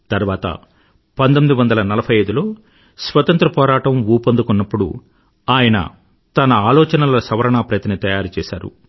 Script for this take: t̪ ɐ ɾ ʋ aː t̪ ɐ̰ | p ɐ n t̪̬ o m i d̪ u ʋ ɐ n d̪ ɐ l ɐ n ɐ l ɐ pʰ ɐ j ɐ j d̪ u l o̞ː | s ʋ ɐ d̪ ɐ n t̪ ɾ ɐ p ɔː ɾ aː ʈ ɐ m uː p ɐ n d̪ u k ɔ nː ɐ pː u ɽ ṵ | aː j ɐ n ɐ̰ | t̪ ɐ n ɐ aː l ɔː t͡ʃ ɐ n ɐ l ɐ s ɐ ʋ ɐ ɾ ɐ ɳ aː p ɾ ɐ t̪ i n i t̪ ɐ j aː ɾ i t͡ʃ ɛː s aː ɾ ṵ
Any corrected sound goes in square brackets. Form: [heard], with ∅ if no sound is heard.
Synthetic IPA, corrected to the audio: t̪ ɐ ɾ ʋ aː t̪ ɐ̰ | p ɐ n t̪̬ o m i d̪ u ʋ ɐ n d̪ ɐ l ɐ n ɐ l ɐ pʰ ɐ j ɐ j d̪ u l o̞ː | s ʋ ɐ [t̪] ɐ n t̪ ɾ ɐ p ɔː ɾ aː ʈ ɐ m uː p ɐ n d̪ u k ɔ nː ɐ pː u ɽ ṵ | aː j ɐ n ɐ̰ | t̪ ɐ n ɐ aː l ɔː t͡ʃ ɐ n ɐ l ɐ s ɐ ʋ ɐ ɾ ɐ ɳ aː p ɾ ɐ t̪ i n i t̪ ɐ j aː ɾ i t͡ʃ ɛː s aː ɾ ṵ